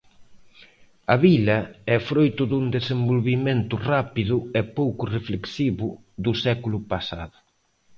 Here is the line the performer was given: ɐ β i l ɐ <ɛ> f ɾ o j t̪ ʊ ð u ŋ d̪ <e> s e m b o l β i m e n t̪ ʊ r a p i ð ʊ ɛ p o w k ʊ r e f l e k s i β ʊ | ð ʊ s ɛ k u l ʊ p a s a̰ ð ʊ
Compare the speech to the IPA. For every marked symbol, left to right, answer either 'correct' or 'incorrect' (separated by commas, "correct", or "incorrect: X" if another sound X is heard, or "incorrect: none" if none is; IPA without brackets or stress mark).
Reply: correct, correct